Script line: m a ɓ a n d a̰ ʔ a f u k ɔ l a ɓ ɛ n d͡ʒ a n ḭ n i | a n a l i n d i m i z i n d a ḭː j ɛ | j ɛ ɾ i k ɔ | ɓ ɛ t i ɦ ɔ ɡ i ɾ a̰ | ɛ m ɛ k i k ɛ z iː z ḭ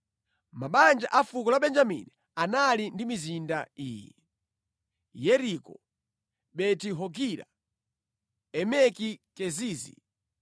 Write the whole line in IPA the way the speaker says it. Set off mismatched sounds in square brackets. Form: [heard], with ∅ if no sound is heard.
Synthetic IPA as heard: m a ɓ a n [d͡ʒ] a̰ ʔ a f u k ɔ l a ɓ ɛ n d͡ʒ a [m] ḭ n i | a n a l i n d i m i z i n d a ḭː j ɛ | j ɛ ɾ i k ɔ | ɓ ɛ t i ɦ ɔ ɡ i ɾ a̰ | ɛ m ɛ k i k ɛ z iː z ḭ